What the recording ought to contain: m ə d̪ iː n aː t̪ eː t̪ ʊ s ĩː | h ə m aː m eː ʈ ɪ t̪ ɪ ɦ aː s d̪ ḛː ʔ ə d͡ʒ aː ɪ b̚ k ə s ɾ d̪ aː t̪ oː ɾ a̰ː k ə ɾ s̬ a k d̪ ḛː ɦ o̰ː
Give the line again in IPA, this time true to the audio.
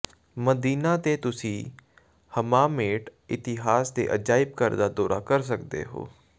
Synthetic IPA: m ə d̪ iː n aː t̪ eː t̪ ʊ s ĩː | h ə m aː m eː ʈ ɪ t̪ ɪ ɦ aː s d̪ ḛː ʔ ə d͡ʒ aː ɪ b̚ k ə ɾ d̪ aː d̪ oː ɾ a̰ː k ə ɾ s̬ ə k d̪ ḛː ɦ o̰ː